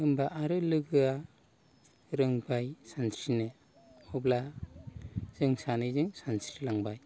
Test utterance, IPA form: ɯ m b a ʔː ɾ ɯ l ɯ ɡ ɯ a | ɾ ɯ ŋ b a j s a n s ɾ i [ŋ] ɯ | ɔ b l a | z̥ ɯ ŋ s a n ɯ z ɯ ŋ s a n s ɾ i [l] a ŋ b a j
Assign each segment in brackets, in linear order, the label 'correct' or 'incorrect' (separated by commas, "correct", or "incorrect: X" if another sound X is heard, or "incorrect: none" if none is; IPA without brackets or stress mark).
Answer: incorrect: n, correct